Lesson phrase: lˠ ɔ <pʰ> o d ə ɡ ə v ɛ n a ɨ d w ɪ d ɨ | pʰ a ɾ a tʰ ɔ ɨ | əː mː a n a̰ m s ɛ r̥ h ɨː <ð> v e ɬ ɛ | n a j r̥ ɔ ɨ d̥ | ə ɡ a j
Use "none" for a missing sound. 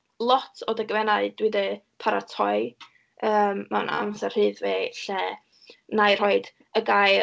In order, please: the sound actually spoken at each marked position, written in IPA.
tʰ, ð

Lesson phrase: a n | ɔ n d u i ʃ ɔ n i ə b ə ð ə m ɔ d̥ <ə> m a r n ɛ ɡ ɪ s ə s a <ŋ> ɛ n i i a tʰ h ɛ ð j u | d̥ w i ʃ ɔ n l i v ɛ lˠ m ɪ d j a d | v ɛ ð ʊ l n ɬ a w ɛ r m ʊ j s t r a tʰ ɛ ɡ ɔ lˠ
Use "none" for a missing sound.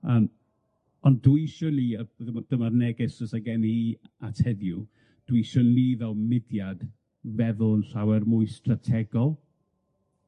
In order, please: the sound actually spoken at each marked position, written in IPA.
ə, ɡ

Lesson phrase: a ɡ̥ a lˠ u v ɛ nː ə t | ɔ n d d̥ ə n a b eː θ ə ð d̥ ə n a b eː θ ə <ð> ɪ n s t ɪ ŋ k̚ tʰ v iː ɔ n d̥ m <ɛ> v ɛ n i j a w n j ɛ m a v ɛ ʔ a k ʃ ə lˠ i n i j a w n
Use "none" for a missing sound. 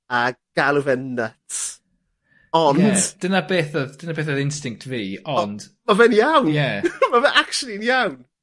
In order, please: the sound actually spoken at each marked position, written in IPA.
ð, a

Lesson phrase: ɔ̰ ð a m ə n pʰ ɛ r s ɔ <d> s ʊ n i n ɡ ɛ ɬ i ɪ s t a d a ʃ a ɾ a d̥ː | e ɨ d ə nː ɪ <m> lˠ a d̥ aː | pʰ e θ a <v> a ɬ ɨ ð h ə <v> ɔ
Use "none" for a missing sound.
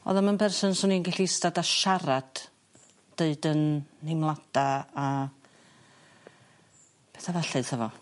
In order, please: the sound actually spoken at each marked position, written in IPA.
n, m, v, v

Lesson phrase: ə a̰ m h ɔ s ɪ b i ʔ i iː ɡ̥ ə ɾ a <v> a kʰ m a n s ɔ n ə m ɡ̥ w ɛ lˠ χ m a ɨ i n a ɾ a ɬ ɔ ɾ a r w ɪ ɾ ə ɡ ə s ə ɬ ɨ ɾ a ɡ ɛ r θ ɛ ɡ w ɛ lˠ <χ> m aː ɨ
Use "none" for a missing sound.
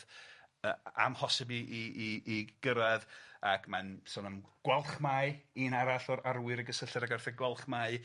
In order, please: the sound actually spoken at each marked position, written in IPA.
ð, χ

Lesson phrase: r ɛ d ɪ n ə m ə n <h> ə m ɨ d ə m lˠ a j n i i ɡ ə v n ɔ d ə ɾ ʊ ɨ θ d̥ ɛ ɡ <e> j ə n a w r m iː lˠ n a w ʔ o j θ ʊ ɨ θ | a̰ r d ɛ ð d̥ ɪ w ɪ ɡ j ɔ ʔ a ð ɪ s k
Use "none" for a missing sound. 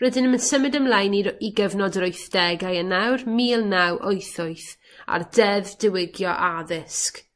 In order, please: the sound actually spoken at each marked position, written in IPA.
s, a

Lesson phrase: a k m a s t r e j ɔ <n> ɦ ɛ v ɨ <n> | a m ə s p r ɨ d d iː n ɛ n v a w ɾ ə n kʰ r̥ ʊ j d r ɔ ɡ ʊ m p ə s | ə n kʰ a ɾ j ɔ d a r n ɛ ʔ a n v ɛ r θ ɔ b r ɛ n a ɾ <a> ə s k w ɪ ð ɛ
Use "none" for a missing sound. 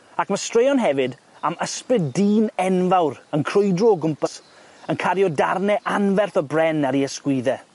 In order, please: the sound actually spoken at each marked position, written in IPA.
n, d, i

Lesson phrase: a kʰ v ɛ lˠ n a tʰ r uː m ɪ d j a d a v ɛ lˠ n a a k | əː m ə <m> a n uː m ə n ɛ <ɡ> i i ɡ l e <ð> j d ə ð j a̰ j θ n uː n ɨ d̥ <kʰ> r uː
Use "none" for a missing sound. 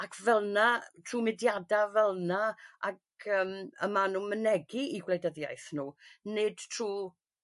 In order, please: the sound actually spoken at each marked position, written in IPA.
m, ɡ, none, tʰ

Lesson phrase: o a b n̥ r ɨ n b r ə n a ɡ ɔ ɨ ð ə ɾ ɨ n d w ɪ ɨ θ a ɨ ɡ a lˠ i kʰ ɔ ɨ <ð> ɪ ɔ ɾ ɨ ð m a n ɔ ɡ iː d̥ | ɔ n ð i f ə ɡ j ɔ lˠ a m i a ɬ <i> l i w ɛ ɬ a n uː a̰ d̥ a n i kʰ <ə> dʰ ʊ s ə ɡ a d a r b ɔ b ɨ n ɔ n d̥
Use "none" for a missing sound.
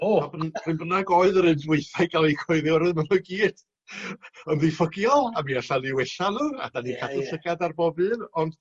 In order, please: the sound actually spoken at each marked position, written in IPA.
ð, a, a

